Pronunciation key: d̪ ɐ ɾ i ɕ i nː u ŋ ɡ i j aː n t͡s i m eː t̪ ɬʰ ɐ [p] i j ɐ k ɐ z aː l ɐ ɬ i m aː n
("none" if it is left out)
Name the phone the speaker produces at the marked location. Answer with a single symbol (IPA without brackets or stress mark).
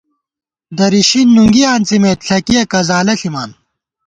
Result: k